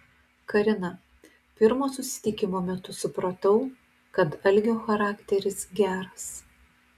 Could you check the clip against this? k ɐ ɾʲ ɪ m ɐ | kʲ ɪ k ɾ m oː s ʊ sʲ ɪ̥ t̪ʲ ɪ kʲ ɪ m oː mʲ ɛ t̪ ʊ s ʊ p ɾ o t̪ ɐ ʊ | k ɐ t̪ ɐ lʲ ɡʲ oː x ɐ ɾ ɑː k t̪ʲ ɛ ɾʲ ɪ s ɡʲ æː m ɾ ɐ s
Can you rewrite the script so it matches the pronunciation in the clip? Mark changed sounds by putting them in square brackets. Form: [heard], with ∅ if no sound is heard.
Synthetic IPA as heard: k ɐ ɾʲ ɪ [n] ɐ | [pʲ] ɪ [∅] ɾ m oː s ʊ sʲ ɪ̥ t̪ʲ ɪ kʲ ɪ m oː mʲ ɛ t̪ ʊ s ʊ p ɾ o t̪ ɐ ʊ | k ɐ t̪ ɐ lʲ ɡʲ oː x ɐ ɾ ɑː k t̪ʲ ɛ ɾʲ ɪ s ɡʲ æː [∅] ɾ ɐ s